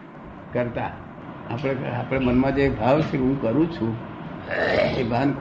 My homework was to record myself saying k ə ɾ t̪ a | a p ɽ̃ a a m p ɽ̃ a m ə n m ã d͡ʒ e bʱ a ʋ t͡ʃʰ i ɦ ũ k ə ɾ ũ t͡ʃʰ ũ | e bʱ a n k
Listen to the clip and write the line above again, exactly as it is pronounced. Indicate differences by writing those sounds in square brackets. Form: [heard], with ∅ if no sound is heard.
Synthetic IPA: k ə ɾ t̪ a | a p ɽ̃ [e] a [∅] p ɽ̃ [e] m ə n m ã d͡ʒ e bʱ a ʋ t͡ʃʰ [e] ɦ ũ k ə ɾ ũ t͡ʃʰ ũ | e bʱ a n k